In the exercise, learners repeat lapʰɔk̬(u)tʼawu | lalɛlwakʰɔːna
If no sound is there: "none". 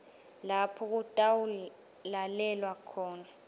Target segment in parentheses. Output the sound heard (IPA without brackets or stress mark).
u